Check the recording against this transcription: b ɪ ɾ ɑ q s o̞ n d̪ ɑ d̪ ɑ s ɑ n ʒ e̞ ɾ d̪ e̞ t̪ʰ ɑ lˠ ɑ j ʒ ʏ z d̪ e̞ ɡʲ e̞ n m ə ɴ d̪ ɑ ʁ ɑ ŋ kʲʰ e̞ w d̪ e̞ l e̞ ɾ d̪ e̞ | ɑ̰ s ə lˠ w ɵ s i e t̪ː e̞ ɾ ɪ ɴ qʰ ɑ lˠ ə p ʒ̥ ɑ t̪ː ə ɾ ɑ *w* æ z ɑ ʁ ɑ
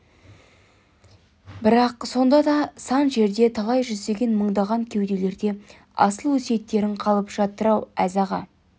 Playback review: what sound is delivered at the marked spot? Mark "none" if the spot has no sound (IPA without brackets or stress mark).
w